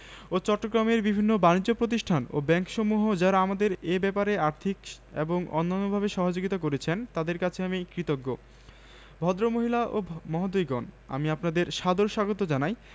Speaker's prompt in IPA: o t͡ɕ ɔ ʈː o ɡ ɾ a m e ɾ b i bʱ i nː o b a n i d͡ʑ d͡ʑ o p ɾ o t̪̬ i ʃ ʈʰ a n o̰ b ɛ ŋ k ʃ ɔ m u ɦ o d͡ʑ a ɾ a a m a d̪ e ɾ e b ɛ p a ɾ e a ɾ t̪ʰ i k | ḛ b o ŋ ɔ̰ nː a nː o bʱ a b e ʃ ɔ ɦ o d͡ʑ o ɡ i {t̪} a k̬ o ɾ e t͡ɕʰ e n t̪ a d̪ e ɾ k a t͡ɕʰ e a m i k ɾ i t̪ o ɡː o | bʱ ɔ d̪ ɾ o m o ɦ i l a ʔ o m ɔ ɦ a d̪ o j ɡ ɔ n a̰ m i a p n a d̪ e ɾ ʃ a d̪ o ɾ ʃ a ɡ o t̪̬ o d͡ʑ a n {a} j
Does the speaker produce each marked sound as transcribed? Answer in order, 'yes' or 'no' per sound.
yes, yes

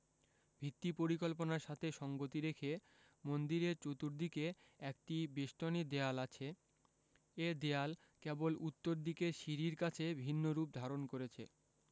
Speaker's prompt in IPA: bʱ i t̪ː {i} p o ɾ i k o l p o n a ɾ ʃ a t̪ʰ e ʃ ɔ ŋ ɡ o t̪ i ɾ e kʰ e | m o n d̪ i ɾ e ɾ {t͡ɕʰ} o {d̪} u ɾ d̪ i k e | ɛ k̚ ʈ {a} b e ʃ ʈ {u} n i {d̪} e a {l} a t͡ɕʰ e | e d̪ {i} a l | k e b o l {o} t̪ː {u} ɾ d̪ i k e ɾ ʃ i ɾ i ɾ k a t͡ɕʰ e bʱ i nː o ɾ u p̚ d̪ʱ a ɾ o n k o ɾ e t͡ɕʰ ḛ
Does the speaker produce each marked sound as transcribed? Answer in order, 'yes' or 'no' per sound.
yes, no, no, no, no, yes, yes, no, no, no

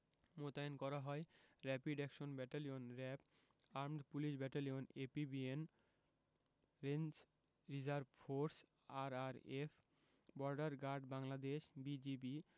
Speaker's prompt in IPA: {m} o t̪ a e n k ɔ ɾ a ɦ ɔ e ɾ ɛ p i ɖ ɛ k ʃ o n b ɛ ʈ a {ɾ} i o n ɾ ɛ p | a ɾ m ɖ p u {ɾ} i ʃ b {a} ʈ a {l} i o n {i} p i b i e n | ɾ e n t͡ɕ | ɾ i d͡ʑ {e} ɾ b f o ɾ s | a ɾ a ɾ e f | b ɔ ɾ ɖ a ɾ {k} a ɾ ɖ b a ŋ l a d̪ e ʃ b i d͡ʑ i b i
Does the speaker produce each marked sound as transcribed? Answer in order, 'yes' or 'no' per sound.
yes, no, no, no, yes, no, no, no

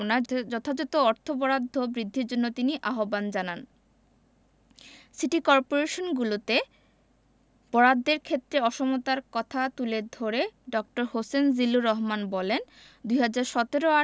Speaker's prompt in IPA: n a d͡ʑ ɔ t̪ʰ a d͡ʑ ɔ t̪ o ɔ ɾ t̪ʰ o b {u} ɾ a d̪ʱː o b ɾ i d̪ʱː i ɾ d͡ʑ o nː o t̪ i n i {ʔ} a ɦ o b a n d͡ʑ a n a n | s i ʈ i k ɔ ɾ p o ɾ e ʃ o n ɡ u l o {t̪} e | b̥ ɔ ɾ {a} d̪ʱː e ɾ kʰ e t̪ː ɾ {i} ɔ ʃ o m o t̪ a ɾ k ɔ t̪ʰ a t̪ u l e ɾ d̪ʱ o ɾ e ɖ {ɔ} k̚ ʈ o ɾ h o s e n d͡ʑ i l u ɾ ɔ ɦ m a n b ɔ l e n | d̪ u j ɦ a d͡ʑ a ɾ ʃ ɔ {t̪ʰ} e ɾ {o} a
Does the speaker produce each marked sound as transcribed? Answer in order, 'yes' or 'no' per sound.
no, yes, yes, yes, no, yes, no, yes

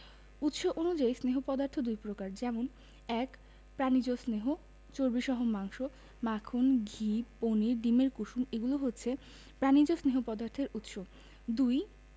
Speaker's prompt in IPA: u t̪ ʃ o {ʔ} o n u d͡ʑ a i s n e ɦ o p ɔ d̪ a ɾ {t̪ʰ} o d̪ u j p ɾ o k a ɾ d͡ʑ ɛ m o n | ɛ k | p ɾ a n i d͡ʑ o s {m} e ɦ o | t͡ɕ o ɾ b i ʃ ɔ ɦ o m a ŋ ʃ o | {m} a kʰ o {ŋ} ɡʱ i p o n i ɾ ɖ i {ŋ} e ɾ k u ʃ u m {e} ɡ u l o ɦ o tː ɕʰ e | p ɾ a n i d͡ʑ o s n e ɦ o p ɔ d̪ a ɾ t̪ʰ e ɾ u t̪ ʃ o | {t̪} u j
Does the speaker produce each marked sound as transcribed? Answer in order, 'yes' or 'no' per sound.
yes, yes, no, yes, no, no, yes, no

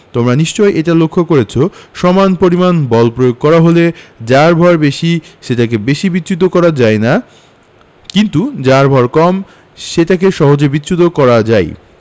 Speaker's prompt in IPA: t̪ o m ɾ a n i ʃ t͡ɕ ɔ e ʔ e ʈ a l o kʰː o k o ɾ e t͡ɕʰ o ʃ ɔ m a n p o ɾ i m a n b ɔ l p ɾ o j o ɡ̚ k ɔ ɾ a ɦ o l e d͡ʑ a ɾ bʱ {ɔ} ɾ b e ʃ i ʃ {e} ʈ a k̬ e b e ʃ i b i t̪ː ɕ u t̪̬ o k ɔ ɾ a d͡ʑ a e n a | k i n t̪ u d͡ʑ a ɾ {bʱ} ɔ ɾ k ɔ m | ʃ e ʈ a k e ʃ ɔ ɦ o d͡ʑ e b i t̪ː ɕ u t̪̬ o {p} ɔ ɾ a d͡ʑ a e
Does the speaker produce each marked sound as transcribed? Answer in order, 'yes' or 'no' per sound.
yes, yes, yes, no

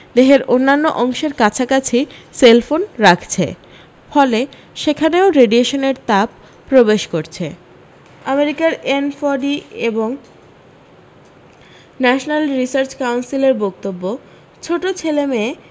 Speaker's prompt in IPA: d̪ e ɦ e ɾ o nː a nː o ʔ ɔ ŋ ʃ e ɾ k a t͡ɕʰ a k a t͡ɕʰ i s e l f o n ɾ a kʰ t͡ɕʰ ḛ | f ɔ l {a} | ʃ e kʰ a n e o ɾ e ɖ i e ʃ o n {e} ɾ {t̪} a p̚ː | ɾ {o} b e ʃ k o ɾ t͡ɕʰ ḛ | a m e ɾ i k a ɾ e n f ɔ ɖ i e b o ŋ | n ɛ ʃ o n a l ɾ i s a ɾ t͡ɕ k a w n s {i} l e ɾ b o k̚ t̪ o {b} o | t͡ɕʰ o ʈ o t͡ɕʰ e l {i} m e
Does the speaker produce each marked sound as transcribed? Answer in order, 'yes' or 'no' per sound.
no, yes, yes, yes, yes, no, no

